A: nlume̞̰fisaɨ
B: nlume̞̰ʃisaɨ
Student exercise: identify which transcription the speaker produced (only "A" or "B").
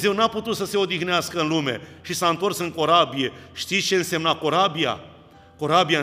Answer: B